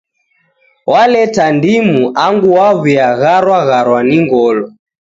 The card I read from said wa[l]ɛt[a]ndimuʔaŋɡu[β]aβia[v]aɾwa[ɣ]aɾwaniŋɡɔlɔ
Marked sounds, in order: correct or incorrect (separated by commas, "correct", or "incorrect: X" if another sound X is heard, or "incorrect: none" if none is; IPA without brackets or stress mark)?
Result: correct, correct, incorrect: w, incorrect: ɣ, correct